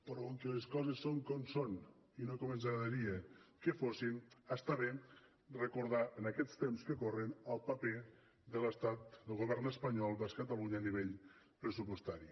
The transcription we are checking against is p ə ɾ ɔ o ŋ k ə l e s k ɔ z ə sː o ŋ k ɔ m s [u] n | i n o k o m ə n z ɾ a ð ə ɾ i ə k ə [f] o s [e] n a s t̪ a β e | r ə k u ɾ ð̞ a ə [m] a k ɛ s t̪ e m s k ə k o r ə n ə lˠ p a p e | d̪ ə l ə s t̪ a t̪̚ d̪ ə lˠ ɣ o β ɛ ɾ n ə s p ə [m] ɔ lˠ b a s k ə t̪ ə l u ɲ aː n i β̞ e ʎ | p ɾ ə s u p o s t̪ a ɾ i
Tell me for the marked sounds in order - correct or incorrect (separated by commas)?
incorrect, correct, incorrect, incorrect, incorrect